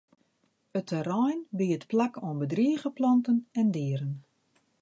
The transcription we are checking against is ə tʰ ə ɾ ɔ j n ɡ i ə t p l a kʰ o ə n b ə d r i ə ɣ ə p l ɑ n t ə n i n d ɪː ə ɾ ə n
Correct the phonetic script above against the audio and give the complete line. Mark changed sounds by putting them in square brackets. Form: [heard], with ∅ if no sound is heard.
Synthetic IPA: ə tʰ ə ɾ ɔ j n [b] i ə t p l a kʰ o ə n b ə d r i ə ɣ ə p l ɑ n t ə n [ɛ] n d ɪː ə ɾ ə n

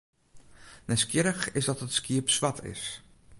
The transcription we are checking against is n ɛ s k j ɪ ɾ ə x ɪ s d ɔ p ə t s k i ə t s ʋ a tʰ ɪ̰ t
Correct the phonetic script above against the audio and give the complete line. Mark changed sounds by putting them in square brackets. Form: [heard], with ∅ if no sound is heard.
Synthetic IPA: n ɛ s k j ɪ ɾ ə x ɪ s d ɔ [t] ə t s k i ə [p] s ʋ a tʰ ɪ̰ [s]

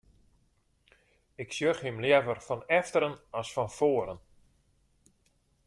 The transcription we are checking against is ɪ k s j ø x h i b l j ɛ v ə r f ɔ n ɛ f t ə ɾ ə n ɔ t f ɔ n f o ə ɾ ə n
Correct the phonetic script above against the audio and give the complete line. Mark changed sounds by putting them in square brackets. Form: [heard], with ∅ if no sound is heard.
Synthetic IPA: ɪ k s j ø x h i [m] l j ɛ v ə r f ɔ n ɛ f t ə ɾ ə n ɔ [s] f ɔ n f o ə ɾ ə n

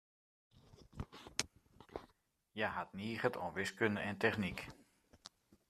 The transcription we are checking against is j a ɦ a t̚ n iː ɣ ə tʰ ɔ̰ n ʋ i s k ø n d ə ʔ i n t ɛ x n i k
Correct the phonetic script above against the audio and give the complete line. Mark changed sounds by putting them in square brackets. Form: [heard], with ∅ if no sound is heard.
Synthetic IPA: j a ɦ a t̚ n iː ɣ ə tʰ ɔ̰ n ʋ [ɪ] s k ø n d ə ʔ [ɛ] n t ɛ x n i k

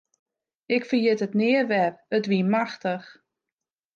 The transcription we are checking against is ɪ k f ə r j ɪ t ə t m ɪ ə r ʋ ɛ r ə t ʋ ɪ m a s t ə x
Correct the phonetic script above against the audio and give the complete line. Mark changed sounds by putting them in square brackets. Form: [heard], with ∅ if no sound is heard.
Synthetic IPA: ɪ k f ə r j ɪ t ə t [n] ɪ ə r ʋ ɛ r ə t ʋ [i] m a [x] t ə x

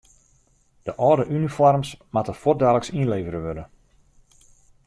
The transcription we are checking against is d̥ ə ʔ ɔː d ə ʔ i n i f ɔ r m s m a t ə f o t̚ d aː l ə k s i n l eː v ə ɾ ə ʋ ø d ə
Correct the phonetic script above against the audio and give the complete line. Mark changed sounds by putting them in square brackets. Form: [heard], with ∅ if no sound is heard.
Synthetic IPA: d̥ ə ʔ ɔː d ə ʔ [y] n i f ɔ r m s m a t ə f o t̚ d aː l ə k s i n l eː v ə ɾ ə ʋ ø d ə

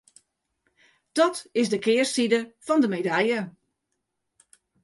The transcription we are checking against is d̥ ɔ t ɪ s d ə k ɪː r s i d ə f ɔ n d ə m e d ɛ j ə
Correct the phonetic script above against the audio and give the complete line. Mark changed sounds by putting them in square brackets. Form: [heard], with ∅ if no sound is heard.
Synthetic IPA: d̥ ɔ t ɪ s d ə k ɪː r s i d ə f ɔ n d ə m e d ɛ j ə

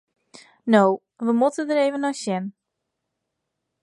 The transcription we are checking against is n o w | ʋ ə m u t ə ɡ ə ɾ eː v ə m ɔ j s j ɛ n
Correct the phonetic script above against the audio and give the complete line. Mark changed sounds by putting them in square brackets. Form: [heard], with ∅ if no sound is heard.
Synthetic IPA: n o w | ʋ ə m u t ə [d] ə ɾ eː v ə [n] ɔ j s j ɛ n

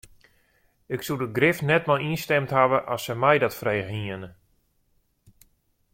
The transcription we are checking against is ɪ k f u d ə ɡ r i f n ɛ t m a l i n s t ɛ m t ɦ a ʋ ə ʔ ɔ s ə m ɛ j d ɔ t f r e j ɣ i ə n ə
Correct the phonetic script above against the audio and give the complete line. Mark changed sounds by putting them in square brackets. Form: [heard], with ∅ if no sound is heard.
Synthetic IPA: ɪ k [s] u d ə ɡ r [ɪ] f n ɛ t m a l i n s t ɛ m t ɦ a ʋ ə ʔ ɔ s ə m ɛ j d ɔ t f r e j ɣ i ə n ə

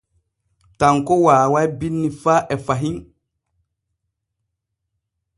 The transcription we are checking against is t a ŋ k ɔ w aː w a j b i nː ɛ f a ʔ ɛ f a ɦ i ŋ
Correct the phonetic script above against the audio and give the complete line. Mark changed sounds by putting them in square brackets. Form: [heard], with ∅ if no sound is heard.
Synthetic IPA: t a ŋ k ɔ w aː w a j b i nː [i] f a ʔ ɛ f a ɦ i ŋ

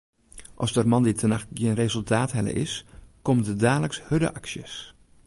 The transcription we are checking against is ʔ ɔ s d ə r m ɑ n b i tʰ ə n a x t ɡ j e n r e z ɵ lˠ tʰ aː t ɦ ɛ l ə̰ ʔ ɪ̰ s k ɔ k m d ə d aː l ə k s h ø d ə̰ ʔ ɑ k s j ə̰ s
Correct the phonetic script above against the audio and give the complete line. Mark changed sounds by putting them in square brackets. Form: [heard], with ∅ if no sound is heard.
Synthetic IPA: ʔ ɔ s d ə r m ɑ n [d] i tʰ ə n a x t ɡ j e n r e z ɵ lˠ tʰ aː t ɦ ɛ l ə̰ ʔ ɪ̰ s k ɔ [∅] m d ə d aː l ə k s h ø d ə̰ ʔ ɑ k s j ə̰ s

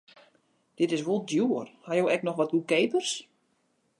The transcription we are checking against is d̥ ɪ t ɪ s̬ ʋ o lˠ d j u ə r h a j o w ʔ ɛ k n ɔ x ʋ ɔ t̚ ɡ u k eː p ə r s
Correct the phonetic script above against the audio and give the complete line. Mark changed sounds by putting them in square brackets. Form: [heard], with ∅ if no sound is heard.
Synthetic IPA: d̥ ɪ t ɪ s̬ ʋ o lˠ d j u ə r h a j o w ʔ ɛ k n ɔ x ʋ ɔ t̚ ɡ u k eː p ə r s

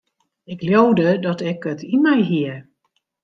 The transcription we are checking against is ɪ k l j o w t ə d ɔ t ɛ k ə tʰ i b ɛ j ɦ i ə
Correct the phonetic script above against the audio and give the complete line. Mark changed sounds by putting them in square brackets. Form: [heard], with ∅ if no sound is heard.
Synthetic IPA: ɪ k l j o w [d] ə d ɔ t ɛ k ə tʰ i [m] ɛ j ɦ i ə

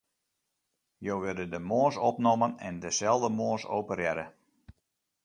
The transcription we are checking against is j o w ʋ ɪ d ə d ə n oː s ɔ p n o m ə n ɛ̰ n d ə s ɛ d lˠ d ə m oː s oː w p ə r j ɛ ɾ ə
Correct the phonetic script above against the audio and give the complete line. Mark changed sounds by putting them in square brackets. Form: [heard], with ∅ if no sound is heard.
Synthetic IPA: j o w ʋ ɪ d ə d ə [m] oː s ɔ p n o m ə n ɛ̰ n d ə s ɛ [∅] lˠ d ə m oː s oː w p ə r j ɛ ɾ ə

